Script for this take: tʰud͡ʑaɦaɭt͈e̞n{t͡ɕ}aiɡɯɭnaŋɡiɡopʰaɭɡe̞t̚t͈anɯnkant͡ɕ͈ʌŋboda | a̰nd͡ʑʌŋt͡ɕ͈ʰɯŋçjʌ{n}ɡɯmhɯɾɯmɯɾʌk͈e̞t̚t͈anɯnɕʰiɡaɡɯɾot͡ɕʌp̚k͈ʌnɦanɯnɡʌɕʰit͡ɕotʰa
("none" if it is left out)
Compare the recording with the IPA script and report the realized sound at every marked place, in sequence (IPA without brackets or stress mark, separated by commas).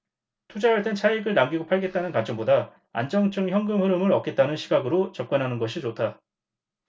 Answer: t͡ɕʰ, ŋ